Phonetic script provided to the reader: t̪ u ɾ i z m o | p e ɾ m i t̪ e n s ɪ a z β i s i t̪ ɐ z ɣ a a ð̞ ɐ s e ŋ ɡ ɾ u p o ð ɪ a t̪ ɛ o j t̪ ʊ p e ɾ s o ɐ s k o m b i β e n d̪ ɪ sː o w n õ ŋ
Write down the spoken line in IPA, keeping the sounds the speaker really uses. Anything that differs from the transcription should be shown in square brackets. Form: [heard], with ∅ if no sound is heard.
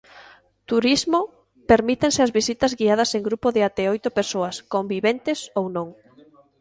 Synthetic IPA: t̪ u ɾ i z m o | p e ɾ m i t̪ e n s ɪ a z β i s i t̪ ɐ z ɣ [i] a ð̞ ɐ s e ŋ ɡ ɾ u p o ð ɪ a t̪ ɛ o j t̪ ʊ p e ɾ s o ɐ s k o m b i β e n [t̪] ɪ [s] o w n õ ŋ

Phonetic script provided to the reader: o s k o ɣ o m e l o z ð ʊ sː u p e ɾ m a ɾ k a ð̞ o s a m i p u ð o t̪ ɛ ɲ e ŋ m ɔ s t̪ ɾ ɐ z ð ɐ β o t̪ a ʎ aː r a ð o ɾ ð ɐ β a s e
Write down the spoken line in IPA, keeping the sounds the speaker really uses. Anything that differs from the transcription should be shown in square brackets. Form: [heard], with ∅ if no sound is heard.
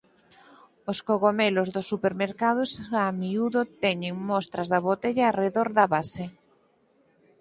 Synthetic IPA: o s k o ɣ o m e l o z ð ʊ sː u p e ɾ m [e] ɾ k a ð̞ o s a m i [∅] u ð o t̪ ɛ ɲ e ŋ m ɔ s t̪ ɾ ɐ z ð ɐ β o t̪ [e] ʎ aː r [e] ð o ɾ ð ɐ β a s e

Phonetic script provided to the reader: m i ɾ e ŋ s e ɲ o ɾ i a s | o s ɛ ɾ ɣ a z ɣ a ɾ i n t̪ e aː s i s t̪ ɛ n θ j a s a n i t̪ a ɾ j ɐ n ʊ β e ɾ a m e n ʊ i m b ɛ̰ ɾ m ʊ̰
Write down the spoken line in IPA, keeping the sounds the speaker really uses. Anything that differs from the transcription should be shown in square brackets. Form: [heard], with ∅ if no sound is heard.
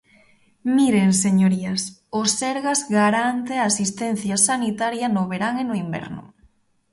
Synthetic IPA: m i ɾ e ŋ s e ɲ o ɾ i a s | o s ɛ ɾ ɣ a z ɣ a ɾ [a] n t̪ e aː s i s t̪ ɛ n θ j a s a n i t̪ a ɾ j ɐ n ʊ β e ɾ a [ŋ] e n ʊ i m b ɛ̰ ɾ [n] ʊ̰

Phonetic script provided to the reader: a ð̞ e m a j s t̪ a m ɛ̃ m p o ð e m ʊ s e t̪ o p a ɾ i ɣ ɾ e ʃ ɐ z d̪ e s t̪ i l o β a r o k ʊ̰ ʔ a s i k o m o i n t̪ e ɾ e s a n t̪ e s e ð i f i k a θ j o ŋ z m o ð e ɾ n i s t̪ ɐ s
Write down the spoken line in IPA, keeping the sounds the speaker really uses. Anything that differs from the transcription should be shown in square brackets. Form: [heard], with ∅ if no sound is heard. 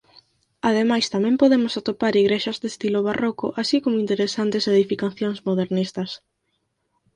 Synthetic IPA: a ð̞ e m a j s t̪ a m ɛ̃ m p o ð e m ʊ s [a] t̪ o p a ɾ i ɣ ɾ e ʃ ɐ z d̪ e s t̪ i l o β a r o k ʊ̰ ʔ a s i k o m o i n t̪ e ɾ e s a n t̪ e s e ð i f i k a θ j o ŋ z m o ð e ɾ n i s t̪ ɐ s

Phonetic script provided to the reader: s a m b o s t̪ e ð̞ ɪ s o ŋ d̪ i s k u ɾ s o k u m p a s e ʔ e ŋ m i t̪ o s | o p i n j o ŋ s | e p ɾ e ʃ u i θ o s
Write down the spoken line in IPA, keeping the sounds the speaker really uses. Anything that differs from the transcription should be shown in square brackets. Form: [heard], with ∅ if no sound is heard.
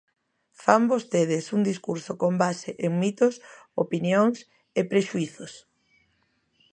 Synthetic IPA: [f] a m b o s t̪ e ð̞ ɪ s [u] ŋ d̪ i s k u ɾ s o k [o] m [b] a s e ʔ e ŋ m i t̪ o s | o p i n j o ŋ s | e p ɾ e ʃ u i θ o s

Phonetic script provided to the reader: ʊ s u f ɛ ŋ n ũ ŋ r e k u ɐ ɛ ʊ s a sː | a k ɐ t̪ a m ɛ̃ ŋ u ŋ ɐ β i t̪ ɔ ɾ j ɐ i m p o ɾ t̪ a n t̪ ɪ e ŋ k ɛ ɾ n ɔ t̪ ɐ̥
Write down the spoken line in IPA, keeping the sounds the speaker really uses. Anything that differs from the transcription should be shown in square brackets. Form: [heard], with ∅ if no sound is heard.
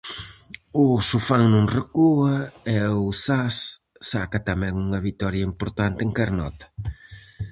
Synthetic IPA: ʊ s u f [a] ŋ n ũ ŋ r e k u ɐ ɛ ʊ s a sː | a k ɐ t̪ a m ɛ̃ ŋ u ŋ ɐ β i t̪ ɔ ɾ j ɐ i m p o ɾ t̪ a n t̪ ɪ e ŋ k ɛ ɾ n ɔ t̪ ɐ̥

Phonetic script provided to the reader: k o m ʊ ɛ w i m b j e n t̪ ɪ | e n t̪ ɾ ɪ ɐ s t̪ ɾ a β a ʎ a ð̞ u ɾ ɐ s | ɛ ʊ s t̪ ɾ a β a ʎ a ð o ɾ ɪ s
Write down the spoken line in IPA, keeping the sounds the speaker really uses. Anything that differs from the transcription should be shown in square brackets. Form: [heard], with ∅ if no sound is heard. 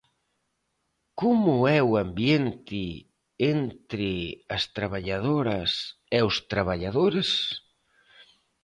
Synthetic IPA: k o m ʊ ɛ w [a] m b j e n t̪ ɪ | e n t̪ ɾ ɪ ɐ s t̪ ɾ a β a ʎ a ð̞ [o] ɾ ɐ s | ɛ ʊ s t̪ ɾ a β a ʎ a ð o ɾ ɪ s

